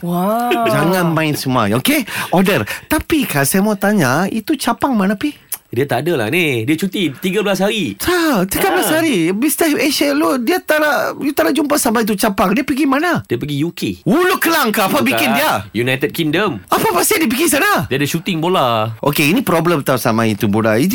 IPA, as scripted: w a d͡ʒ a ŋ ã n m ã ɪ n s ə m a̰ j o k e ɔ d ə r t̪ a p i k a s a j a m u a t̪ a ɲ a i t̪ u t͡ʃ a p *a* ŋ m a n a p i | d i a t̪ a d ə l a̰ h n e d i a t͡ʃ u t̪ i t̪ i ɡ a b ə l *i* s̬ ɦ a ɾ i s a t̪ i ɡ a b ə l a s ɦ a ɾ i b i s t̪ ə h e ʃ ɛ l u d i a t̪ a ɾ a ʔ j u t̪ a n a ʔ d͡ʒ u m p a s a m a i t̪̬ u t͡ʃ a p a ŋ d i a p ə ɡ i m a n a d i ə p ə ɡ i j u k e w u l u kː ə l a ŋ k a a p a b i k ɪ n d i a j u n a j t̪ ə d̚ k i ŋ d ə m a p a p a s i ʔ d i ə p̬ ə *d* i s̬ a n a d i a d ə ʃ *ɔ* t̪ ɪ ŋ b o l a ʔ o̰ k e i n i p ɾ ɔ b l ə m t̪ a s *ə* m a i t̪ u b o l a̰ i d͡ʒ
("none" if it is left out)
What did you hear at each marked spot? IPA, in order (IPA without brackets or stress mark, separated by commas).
a, a, ɡ, u, a